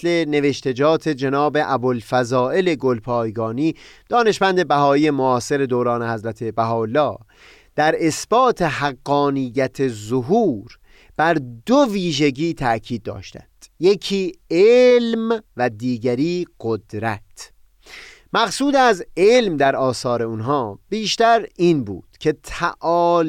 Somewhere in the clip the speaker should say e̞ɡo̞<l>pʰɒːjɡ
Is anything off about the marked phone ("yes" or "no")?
no